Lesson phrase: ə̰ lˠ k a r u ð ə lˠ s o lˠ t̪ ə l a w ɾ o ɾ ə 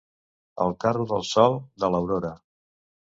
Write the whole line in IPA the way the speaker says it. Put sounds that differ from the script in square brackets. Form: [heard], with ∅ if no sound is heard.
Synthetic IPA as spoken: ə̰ lˠ k a r u ð ə lˠ s [ɔ] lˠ [d̪] ə l [ə] w ɾ o ɾ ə